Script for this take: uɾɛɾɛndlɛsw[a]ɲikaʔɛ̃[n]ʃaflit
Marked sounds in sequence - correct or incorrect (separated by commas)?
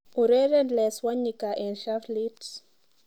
correct, correct